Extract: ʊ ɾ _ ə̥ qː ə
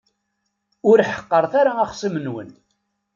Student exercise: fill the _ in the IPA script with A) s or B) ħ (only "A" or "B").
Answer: B